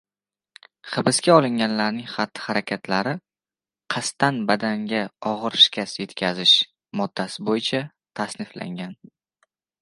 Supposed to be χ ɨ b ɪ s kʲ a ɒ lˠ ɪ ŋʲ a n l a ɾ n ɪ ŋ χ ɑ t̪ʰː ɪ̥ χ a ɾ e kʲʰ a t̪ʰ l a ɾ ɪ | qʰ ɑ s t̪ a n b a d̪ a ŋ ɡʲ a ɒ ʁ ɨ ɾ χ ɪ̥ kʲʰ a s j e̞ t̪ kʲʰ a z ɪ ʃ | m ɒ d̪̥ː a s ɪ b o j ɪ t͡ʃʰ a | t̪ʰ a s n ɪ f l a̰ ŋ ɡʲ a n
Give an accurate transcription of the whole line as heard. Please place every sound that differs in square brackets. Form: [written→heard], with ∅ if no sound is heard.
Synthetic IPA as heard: χ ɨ b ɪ s kʲ a ɒ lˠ ɪ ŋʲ a n l a ɾ n ɪ ŋ χ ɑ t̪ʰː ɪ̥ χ a ɾ [e→a] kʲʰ a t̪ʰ l a ɾ ɪ | qʰ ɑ s t̪ a n b a d̪ a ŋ ɡʲ a ɒ ʁ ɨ ɾ [χ→ʃ] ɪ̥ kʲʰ a s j e̞ t̪ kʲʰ a z ɪ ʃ | m ɒ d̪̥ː a s ɪ b o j ɪ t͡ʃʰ a | t̪ʰ a s n ɪ f l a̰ ŋ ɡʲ a n